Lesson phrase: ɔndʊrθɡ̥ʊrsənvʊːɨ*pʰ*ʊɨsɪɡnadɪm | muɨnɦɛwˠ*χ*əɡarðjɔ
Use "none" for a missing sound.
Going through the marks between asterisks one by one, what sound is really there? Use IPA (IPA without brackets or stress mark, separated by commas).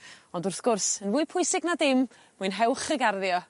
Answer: pʰ, χ